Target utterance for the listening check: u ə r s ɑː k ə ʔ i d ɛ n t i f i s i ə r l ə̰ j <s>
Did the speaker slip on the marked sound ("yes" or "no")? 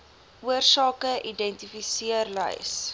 no